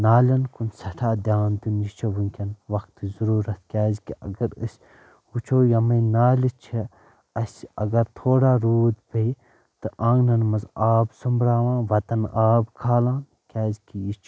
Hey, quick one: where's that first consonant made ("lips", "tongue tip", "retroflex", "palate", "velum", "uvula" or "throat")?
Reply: tongue tip